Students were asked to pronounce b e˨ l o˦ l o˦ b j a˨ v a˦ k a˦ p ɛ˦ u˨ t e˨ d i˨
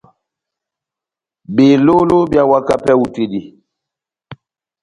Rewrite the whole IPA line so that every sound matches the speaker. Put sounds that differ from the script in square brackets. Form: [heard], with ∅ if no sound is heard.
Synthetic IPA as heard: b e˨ l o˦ l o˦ b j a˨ [w] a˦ k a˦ p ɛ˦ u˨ t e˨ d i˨